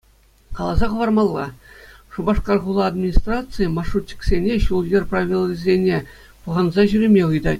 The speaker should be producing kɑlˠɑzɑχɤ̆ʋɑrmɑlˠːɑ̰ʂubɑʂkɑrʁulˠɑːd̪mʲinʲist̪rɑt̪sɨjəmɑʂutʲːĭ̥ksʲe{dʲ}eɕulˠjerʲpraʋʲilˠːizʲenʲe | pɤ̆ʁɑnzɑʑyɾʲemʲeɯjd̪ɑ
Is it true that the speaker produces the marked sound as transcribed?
no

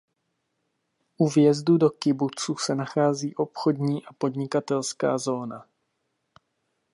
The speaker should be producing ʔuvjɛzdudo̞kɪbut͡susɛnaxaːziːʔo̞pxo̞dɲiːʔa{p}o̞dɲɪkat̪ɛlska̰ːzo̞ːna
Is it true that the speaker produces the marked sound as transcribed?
yes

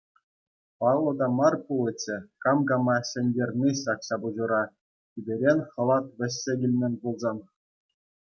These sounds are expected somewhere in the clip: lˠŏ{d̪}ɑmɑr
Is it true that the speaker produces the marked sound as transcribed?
yes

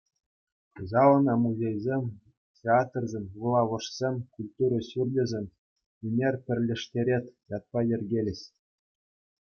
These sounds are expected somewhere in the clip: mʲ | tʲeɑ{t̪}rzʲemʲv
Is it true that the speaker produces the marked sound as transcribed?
yes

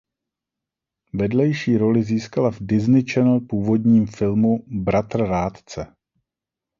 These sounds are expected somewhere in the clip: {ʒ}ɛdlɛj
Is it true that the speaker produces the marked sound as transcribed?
no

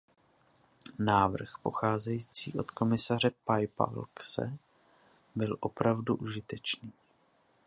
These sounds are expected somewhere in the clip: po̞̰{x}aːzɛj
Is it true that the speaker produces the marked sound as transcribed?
yes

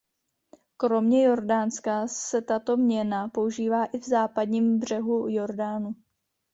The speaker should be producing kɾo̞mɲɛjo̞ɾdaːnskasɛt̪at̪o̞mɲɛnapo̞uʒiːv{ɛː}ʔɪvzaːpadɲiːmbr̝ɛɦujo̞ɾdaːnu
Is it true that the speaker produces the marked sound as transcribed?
no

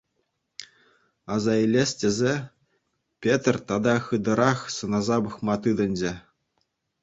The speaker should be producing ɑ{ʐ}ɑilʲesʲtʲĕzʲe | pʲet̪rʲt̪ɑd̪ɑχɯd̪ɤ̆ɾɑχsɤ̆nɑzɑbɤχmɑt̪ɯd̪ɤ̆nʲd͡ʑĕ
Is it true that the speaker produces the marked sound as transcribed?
no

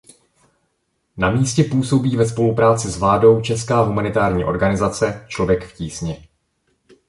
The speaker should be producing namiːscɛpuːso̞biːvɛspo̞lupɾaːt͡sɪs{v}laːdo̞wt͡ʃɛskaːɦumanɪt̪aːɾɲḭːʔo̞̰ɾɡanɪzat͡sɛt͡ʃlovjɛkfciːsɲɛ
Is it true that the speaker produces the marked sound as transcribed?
yes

